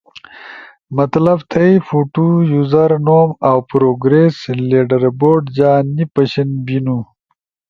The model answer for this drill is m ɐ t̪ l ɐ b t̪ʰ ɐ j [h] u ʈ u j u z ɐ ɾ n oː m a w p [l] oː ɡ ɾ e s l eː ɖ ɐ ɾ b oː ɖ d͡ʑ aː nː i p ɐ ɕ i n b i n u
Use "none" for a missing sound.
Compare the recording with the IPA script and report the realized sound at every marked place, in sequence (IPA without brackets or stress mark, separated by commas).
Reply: f, ɾ